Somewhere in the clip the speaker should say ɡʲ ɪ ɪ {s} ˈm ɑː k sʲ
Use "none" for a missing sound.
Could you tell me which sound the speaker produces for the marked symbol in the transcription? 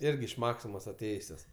ʃ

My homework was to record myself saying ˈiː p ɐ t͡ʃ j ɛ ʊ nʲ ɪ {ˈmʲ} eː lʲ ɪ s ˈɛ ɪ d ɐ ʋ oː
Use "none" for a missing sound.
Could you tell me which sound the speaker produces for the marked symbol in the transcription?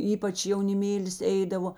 mʲ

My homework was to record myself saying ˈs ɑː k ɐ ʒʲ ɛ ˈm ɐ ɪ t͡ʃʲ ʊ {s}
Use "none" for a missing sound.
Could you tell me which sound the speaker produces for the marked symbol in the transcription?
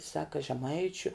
none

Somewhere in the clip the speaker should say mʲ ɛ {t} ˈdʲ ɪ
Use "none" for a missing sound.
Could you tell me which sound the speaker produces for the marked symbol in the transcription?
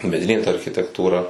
none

